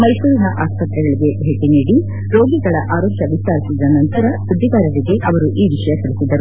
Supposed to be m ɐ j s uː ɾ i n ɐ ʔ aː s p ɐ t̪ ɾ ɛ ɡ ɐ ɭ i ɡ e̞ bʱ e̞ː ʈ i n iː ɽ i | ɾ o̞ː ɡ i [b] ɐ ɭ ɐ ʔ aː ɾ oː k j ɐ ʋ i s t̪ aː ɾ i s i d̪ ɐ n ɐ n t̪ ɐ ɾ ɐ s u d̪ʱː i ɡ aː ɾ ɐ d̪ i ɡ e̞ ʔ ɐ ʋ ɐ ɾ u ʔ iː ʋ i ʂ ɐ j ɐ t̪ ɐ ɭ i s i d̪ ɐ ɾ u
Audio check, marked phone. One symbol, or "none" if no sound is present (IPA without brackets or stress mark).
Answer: ɡ